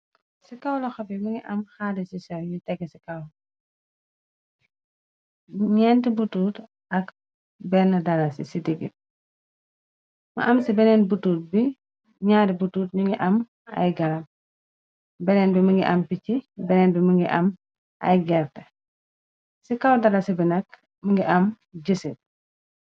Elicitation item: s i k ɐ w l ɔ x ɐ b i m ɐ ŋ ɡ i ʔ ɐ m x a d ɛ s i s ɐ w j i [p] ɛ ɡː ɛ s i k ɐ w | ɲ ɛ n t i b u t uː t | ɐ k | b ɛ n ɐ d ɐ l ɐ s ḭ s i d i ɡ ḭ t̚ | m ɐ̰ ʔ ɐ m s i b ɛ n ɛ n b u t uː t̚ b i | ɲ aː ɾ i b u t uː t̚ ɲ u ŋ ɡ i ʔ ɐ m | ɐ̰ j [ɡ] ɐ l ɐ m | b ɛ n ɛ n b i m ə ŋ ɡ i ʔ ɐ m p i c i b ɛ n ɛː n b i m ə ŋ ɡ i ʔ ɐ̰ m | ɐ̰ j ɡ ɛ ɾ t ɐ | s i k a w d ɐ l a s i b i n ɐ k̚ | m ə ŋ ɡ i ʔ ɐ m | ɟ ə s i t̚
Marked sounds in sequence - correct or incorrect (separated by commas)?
incorrect, correct